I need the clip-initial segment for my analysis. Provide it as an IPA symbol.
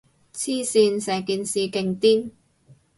t͡sʰ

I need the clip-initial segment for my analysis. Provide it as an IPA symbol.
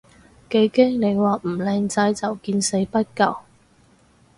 k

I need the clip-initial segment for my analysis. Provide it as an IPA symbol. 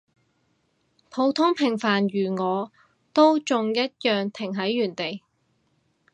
pʰ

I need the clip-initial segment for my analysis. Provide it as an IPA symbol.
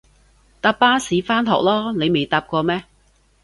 t̪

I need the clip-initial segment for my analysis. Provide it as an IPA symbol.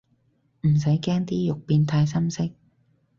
m̩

